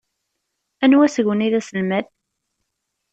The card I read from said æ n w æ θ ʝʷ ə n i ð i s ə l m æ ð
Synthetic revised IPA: æ n w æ s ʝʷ ə n i ð æ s ə l m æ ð